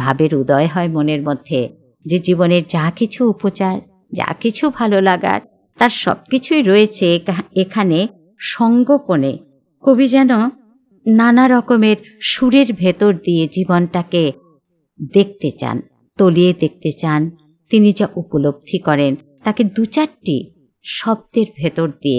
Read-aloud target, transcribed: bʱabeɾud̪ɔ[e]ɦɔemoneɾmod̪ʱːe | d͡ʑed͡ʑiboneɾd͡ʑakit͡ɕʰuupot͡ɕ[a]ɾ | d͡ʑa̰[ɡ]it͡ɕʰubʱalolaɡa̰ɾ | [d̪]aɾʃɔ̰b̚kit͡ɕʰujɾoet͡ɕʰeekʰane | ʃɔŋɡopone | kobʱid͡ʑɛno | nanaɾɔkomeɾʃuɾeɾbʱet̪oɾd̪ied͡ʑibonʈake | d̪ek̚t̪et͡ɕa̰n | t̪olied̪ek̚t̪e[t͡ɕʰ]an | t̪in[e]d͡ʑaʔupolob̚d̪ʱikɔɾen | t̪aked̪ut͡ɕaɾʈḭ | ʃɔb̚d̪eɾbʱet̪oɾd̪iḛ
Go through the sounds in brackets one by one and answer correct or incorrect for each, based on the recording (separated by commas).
correct, correct, incorrect, incorrect, incorrect, incorrect